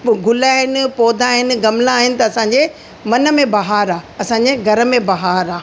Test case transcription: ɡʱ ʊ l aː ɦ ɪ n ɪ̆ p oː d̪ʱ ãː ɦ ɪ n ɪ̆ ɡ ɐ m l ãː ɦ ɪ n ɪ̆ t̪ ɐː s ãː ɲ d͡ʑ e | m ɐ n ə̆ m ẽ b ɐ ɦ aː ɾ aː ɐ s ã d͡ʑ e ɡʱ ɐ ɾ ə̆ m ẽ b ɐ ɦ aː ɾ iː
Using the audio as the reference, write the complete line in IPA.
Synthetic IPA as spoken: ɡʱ ʊ l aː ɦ ɪ n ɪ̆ p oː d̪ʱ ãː ɦ ɪ n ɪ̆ ɡ ɐ m l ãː ɦ ɪ n ɪ̆ t̪ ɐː s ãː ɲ d͡ʑ e | m ɐ n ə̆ m ẽ b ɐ ɦ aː ɾ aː ɐ s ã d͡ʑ e ɡʱ ɐ ɾ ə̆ m ẽ b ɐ ɦ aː ɾ aː

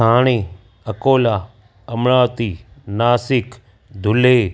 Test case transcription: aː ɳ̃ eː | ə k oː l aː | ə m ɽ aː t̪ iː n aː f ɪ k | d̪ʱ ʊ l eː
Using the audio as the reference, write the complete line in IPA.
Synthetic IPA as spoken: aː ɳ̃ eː | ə k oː l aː | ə m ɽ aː t̪ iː n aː s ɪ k | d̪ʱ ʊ l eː

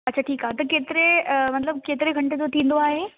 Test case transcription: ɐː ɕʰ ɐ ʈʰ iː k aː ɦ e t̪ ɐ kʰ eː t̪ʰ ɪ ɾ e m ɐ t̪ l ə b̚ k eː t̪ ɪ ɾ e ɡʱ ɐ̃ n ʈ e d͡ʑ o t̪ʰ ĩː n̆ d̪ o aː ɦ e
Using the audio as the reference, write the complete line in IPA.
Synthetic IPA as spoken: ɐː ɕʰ a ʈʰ iː k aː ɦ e t̪ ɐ k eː t̪ ɪ ɾ e m ɐ t̪ l ə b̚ k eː t̪ ɪ ɾ e ɡʱ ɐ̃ ɳ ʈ e d͡ʑ o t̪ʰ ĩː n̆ d̪ o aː ɦ e

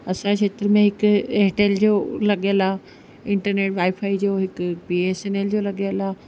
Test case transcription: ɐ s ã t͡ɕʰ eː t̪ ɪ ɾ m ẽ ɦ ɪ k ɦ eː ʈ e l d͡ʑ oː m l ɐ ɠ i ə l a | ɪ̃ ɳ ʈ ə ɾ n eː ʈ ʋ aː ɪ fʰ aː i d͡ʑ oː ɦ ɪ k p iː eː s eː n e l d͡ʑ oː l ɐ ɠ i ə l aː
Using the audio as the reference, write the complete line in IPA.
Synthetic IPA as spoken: ɐ s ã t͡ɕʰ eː t̪ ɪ ɾ m ẽ ɦ ɪ k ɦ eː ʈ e l d͡ʑ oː l ɐ ɠ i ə l a | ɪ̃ ɳ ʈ ə ɾ n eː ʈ ʋ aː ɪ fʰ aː i d͡ʑ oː ɦ ɪ k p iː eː s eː n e l d͡ʑ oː l ɐ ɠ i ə l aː

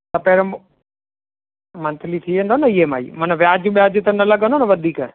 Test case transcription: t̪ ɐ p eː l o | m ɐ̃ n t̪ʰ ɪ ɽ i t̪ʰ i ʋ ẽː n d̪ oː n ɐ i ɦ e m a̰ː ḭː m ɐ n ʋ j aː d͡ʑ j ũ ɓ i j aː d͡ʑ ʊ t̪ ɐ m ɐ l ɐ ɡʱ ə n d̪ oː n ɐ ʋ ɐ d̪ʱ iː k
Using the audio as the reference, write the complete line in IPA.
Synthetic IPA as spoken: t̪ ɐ p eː ɾ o | m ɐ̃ n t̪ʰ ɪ l i t̪ʰ i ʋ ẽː n d̪ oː n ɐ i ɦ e m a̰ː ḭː m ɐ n ʋ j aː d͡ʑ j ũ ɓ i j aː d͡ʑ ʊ t̪ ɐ n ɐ l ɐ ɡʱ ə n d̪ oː n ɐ ʋ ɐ d̪ʱ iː k

